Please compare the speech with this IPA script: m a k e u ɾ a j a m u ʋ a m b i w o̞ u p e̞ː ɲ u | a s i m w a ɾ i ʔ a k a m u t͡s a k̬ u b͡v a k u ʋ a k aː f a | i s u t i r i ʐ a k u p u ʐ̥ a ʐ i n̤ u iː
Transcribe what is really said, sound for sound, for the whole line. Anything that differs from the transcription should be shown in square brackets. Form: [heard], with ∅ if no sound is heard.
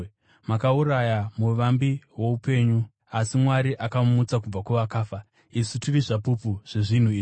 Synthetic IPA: m a k [a] u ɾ a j a m u ʋ a m b i w o̞ u p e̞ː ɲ u | a s i m w a ɾ i ʔ a k a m u t͡s a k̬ u b͡v a k u ʋ a k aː f a | i s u t i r i ʐ a [p] u p u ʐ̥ [e] ʐ i n̤ u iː